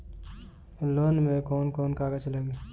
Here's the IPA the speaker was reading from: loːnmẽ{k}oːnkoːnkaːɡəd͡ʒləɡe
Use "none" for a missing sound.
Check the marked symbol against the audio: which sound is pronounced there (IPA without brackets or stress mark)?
k